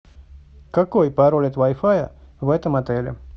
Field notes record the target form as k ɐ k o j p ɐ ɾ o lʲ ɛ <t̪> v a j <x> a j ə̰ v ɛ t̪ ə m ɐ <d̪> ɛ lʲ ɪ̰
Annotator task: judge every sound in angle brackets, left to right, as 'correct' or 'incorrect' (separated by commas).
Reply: correct, incorrect, incorrect